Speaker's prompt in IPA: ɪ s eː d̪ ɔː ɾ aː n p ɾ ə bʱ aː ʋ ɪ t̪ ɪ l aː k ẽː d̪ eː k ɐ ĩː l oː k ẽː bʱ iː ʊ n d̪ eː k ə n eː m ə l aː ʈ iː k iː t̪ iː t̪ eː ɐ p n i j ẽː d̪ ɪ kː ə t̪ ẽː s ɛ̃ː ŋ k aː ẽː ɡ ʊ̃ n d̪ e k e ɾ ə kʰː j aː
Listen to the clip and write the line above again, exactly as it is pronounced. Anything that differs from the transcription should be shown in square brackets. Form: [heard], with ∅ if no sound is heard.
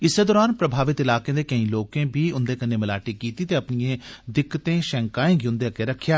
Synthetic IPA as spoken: ɪ s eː d̪ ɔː ɾ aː n p ɾ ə bʱ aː ʋ ɪ t̪ ɪ l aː k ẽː d̪ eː k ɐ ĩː l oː k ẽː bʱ iː ʊ n d̪ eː k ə n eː m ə l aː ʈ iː k iː t̪ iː t̪ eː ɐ p n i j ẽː d̪ ɪ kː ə t̪ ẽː [ʃ] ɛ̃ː ŋ k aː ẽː ɡ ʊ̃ n d̪ e k e ɾ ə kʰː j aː